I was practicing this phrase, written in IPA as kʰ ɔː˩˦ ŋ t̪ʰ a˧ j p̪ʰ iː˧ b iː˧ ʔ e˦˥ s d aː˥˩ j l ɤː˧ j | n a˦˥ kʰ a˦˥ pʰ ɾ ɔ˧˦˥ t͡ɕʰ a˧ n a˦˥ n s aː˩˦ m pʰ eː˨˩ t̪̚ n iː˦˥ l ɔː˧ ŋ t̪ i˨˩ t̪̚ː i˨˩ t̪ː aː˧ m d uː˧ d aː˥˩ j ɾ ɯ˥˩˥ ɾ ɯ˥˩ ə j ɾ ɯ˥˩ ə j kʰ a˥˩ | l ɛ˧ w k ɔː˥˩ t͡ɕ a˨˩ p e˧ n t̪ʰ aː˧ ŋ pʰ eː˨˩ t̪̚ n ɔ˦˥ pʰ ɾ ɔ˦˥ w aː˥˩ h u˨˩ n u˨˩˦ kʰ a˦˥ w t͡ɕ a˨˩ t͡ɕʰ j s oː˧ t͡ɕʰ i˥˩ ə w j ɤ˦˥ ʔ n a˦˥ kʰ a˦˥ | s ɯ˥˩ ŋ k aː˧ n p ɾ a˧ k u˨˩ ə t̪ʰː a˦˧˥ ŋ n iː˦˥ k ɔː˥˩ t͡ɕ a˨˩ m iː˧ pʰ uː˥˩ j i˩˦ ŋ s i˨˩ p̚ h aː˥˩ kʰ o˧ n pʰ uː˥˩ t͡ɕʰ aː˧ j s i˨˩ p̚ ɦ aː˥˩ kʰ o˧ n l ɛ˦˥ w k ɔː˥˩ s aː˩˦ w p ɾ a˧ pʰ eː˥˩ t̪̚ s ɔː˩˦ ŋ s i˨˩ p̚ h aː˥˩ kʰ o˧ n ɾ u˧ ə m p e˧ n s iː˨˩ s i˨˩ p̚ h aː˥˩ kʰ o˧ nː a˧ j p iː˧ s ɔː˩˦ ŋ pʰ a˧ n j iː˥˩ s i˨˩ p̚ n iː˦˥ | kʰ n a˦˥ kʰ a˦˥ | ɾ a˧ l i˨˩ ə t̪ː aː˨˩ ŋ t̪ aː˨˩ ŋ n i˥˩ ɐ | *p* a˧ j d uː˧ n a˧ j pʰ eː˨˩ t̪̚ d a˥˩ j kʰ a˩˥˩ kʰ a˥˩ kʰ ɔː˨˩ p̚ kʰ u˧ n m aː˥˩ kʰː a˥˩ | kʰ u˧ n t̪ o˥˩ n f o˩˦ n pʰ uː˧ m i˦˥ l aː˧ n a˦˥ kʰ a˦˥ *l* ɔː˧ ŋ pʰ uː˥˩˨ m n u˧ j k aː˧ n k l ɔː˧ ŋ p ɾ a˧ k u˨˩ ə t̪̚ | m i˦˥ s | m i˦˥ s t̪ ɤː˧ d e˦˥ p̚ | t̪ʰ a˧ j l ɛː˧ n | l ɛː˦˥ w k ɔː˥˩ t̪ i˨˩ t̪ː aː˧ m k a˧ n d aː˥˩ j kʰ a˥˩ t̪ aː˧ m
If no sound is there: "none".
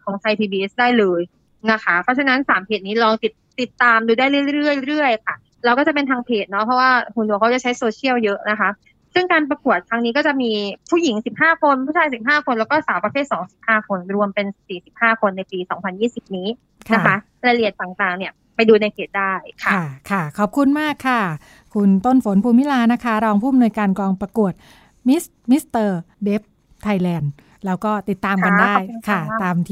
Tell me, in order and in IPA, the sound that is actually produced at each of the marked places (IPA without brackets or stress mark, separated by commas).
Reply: p, ɾ